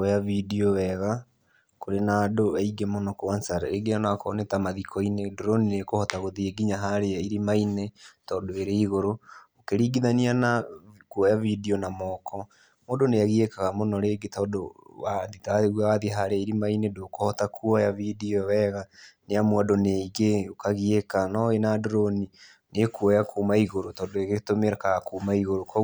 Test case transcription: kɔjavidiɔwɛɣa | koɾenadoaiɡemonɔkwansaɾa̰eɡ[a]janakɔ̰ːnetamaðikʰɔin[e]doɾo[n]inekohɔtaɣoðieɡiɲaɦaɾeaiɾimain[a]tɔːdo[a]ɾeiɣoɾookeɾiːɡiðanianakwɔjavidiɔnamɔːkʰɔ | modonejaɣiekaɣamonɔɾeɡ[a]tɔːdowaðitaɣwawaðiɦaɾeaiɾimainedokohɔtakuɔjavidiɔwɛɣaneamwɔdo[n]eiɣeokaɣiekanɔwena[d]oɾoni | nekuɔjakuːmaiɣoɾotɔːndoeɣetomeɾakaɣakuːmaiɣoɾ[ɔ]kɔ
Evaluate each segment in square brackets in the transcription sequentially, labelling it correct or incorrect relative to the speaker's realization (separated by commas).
incorrect, correct, correct, incorrect, incorrect, incorrect, correct, correct, incorrect